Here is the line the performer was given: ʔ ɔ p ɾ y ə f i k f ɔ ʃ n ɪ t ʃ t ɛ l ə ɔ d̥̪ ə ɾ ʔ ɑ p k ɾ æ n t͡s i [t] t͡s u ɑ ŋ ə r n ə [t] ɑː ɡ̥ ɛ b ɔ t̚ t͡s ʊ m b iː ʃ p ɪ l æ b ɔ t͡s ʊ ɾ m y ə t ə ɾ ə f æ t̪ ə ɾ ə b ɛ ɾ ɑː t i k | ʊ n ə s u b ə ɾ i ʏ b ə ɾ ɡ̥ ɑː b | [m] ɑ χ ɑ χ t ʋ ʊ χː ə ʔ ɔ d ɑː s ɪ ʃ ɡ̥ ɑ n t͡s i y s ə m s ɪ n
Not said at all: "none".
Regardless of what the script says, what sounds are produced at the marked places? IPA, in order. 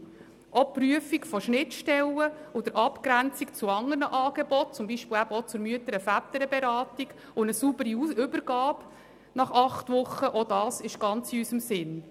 k, ʔ, n

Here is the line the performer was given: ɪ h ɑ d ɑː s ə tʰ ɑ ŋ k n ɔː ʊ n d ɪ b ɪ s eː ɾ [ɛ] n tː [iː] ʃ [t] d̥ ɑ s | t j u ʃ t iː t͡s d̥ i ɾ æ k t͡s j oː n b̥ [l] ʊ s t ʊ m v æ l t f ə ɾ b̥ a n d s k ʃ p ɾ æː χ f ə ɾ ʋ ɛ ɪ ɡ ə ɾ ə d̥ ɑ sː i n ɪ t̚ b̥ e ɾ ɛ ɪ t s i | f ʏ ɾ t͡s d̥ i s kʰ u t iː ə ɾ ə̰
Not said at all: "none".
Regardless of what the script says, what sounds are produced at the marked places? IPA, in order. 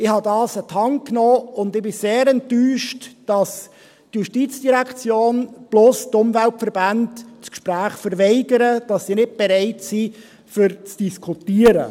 ɛ, yː, t, l

